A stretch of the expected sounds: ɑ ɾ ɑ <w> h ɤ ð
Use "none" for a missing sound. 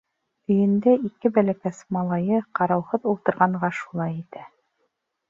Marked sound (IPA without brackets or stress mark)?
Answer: w